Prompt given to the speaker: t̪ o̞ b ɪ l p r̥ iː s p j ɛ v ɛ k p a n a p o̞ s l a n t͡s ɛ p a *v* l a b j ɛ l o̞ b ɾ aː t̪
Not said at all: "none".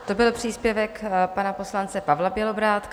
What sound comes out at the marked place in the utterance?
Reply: v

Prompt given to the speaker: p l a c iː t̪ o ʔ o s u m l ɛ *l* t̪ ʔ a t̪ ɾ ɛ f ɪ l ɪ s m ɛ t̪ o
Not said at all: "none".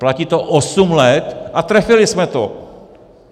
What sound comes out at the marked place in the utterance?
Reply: none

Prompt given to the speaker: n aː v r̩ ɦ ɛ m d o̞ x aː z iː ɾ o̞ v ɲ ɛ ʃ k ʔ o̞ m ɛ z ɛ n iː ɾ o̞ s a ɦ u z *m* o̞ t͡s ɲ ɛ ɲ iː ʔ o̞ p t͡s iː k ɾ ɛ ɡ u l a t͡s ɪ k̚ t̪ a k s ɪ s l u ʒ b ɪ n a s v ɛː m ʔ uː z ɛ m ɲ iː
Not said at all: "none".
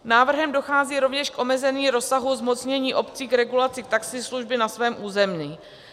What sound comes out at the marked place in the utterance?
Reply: m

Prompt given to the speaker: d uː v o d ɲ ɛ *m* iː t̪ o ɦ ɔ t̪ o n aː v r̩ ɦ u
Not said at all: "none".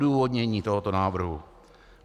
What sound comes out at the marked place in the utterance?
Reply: ɲ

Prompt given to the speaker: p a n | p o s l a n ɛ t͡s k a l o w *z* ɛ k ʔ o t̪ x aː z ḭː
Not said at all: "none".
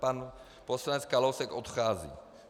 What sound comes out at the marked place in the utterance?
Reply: s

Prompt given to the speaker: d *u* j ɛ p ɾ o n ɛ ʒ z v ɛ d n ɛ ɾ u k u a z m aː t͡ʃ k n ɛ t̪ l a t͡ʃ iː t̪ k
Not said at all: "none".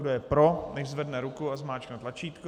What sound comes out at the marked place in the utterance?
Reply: o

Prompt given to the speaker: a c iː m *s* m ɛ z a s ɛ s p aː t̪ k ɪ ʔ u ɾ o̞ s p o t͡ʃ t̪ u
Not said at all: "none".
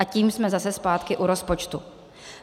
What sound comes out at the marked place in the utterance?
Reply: s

